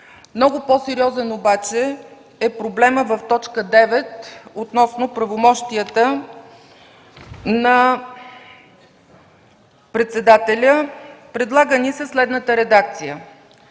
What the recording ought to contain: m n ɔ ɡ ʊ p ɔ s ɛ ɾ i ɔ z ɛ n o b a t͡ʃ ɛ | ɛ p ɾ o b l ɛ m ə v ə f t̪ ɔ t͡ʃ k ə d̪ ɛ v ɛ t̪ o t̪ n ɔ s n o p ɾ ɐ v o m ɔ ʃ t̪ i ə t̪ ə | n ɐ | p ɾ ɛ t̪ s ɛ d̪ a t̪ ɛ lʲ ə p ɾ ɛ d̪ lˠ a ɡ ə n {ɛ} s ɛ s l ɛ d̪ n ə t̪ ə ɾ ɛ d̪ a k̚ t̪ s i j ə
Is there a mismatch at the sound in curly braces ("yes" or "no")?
yes